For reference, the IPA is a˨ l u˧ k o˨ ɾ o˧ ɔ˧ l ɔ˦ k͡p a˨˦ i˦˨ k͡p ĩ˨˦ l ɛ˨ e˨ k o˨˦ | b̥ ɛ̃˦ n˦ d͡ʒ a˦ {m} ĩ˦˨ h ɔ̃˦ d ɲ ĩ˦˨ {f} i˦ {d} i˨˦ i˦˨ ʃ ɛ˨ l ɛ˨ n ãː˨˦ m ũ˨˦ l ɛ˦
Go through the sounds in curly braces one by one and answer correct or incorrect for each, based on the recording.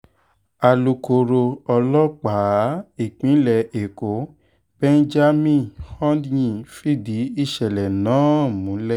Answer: correct, correct, correct

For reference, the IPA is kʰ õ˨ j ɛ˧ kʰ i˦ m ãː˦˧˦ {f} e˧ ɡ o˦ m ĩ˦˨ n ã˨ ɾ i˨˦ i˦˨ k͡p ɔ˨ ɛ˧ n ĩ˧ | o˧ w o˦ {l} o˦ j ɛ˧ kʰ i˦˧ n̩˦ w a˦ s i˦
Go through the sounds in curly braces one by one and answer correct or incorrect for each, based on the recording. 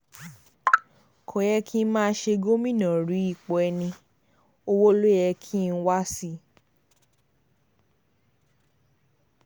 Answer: incorrect: ʃ, correct

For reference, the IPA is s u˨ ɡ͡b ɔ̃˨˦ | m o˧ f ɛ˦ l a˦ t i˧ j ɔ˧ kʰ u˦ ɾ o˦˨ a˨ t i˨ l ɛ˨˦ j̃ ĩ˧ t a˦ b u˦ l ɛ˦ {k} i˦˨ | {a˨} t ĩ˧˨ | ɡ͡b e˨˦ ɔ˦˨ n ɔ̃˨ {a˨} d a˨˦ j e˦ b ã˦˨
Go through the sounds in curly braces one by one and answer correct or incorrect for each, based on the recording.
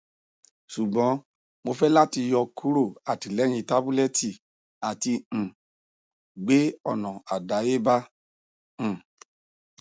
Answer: incorrect: t, correct, correct

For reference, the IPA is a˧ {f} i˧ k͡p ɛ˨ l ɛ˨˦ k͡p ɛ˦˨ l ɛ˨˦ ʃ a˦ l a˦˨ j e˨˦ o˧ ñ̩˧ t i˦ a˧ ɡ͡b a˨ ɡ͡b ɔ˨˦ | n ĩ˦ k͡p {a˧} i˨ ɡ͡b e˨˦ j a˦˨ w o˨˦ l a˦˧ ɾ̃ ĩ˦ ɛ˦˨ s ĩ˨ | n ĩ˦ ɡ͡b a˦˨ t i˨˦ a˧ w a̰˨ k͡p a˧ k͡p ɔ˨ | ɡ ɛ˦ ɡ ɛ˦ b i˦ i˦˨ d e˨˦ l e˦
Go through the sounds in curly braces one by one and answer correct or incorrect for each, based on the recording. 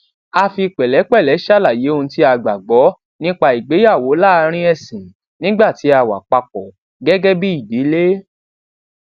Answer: correct, correct

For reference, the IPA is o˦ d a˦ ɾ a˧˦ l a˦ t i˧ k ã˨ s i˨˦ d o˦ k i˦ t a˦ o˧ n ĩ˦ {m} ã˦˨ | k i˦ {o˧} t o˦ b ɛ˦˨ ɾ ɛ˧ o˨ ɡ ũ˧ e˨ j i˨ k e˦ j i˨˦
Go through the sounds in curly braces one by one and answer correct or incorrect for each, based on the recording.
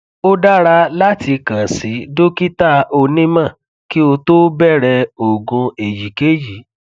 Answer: correct, correct

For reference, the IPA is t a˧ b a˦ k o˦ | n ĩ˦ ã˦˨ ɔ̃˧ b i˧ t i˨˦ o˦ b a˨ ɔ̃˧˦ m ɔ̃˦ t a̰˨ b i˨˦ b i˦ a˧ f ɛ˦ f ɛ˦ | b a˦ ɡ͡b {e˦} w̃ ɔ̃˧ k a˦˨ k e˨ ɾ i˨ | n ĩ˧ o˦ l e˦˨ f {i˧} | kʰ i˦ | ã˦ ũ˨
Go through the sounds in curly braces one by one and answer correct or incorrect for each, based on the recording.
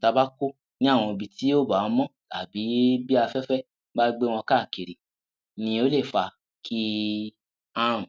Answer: correct, incorrect: a˧

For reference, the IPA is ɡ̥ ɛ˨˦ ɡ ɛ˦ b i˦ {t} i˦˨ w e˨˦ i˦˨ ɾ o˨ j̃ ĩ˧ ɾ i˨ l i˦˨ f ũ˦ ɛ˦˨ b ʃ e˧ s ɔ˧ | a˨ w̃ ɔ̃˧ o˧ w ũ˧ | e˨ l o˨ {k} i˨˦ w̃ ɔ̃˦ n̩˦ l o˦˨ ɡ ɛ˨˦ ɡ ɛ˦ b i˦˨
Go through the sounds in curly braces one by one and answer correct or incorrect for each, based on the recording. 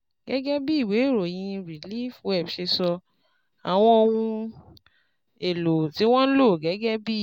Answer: incorrect: none, incorrect: t

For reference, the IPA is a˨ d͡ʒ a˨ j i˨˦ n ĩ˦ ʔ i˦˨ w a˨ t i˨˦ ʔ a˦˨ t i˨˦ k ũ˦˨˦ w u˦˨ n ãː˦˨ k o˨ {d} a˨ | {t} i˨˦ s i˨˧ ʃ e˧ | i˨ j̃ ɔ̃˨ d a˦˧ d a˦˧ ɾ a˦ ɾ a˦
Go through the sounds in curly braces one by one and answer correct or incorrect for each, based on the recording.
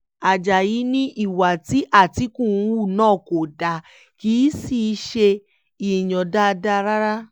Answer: correct, incorrect: k

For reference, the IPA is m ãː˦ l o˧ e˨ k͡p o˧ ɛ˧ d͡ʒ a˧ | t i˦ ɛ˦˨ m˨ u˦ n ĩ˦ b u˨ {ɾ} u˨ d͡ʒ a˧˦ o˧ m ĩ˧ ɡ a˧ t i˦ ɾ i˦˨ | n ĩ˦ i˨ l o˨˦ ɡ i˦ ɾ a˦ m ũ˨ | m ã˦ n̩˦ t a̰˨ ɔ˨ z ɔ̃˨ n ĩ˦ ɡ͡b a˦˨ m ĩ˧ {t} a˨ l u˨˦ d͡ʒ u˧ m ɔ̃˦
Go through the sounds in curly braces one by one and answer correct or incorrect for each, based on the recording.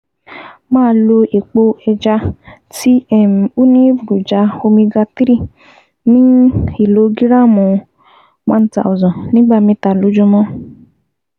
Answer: correct, correct

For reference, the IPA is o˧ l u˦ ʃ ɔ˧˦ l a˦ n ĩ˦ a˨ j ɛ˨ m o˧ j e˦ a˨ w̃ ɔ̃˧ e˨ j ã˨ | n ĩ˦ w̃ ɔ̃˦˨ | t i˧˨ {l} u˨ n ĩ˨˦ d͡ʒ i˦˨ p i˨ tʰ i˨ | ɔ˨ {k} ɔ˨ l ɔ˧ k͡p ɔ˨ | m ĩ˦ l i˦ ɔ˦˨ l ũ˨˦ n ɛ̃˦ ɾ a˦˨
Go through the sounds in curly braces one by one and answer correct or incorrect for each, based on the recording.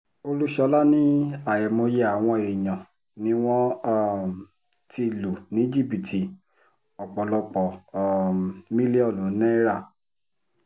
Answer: correct, incorrect: k͡p

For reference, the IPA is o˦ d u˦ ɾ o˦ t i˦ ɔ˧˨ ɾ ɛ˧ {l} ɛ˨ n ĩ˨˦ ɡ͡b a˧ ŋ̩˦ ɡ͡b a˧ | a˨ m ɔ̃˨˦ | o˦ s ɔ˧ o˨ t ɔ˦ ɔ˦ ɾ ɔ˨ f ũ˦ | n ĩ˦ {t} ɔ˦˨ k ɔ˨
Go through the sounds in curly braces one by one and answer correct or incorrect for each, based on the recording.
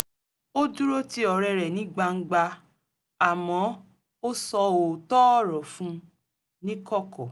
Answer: incorrect: ɾ, incorrect: k

